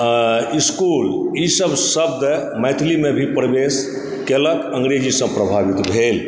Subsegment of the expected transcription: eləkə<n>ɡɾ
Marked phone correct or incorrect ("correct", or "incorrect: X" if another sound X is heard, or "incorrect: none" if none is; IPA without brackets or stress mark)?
incorrect: ŋ